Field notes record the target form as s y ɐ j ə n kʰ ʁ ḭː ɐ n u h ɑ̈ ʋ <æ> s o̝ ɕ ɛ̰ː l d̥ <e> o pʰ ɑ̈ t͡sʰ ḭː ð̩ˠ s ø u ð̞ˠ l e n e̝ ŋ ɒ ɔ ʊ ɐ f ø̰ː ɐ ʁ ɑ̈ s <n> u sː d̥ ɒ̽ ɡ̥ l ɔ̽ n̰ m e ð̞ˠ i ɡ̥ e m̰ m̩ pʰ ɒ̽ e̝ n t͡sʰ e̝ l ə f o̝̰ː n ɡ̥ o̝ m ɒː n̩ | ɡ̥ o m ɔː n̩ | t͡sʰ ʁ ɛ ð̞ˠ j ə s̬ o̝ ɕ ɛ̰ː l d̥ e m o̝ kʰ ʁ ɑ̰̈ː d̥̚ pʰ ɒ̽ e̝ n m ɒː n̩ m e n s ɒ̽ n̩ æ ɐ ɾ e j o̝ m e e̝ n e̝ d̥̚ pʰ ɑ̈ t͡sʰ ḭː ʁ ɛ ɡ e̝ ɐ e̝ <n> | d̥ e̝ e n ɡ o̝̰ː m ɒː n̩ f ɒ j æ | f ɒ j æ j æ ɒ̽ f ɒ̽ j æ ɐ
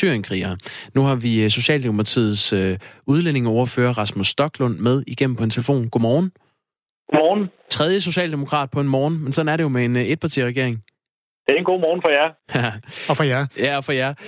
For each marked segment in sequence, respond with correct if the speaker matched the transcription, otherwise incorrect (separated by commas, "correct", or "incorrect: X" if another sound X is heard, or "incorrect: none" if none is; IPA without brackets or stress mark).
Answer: incorrect: i, correct, incorrect: m, incorrect: ŋ